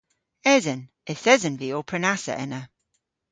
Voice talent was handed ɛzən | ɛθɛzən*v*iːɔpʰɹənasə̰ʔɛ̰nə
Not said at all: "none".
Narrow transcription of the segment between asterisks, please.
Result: v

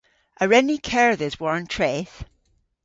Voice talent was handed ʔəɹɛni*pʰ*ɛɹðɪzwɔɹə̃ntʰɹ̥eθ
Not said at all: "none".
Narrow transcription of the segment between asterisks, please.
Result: kʰ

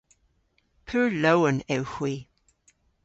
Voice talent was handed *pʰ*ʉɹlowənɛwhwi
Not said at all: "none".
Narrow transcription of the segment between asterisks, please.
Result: pʰ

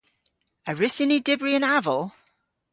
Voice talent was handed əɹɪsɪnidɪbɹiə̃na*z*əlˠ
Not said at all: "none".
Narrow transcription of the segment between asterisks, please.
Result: v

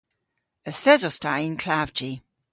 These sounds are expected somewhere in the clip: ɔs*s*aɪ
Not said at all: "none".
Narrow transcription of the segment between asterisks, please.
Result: t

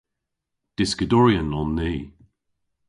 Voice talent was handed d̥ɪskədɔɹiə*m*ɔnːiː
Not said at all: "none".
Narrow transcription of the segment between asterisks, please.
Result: n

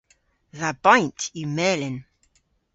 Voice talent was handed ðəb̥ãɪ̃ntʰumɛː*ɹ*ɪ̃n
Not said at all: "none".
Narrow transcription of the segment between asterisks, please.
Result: l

